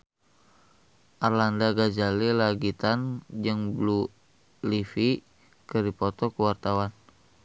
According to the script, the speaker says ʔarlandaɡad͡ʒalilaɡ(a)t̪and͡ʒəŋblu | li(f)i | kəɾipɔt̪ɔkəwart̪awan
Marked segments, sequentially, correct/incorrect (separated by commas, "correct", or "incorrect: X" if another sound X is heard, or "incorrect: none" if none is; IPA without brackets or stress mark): incorrect: i, correct